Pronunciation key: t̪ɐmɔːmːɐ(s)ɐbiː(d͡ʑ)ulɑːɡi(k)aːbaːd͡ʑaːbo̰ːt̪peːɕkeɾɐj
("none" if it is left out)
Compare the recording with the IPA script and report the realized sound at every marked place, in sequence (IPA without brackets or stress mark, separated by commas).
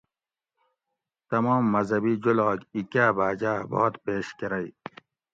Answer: z, d͡ʑ, k